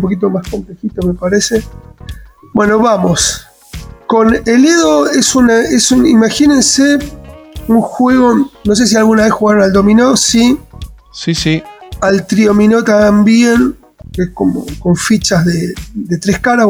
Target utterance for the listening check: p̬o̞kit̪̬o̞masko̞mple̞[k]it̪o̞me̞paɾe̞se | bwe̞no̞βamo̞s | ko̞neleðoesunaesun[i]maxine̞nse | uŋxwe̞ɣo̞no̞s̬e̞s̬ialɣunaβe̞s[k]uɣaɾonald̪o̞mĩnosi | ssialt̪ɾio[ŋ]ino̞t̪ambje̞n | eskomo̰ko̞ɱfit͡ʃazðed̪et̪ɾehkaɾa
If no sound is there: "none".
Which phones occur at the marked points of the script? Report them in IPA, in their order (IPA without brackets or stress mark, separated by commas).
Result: x, i, x, m